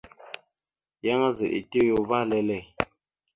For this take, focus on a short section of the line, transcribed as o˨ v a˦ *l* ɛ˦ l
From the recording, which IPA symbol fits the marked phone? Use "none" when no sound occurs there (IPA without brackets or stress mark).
l